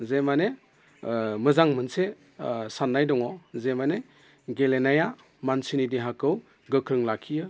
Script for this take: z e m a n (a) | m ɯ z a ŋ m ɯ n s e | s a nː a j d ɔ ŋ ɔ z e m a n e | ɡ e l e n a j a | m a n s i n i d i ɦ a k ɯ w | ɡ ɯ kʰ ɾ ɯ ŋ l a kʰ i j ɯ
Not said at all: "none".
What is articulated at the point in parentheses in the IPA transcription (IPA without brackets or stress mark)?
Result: e